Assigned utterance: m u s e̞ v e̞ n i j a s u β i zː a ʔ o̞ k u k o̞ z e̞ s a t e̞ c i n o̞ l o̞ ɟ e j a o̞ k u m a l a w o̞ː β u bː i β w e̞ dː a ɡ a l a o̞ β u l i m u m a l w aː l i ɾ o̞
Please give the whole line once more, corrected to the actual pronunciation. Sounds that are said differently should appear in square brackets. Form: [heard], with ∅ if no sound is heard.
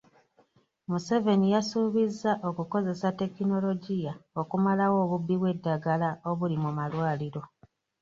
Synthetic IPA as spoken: m u s e̞ v e̞ n i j a s u β i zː a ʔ o̞ k u k o̞ z e̞ s a t e̞ [k] i n o̞ l o̞ ɟ [i] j a o̞ k u m a l a w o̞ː β u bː i β w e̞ dː a ɡ a l a o̞ β u l i m u m a l w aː l i ɾ o̞